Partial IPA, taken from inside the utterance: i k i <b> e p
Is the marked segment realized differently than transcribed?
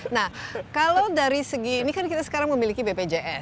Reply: no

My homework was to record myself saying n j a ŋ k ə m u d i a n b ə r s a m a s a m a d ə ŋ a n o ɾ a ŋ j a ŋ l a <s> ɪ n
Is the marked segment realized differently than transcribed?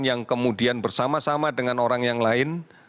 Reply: yes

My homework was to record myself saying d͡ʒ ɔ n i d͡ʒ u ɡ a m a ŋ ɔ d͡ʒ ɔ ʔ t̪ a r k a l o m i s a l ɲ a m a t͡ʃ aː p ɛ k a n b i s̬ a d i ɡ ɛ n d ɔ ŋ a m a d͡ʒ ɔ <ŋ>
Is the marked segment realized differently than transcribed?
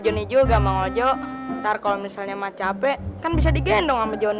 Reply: yes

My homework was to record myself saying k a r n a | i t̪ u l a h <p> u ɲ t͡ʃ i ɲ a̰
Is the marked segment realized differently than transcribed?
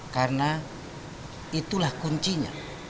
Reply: yes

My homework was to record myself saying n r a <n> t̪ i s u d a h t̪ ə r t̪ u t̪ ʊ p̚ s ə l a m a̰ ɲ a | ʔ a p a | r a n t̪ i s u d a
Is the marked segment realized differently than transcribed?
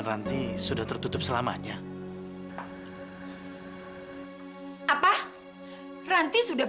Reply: no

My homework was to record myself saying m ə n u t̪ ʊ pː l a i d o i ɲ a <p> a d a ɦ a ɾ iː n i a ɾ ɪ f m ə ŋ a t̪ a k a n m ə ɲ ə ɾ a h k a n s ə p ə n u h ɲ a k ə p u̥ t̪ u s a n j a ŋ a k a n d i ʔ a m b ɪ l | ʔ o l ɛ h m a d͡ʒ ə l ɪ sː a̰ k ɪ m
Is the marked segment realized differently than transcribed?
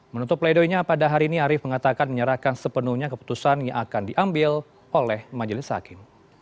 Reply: no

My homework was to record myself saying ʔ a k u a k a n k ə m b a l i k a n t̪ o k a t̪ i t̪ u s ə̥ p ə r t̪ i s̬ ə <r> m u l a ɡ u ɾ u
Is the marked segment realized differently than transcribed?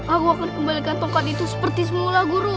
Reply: yes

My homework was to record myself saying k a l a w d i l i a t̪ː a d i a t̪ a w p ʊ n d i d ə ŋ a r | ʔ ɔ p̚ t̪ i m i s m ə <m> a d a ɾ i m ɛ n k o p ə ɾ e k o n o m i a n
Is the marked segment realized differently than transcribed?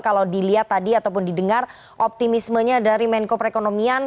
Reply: yes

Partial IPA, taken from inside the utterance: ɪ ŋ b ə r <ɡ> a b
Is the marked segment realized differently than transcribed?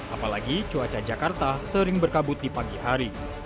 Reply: yes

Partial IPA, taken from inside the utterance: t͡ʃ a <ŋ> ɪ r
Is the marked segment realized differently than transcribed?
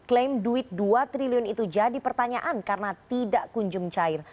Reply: yes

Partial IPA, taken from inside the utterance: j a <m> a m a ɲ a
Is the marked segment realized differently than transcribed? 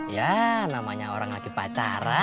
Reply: yes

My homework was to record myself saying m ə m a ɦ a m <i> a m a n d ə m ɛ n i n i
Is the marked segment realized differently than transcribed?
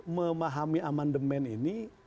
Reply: no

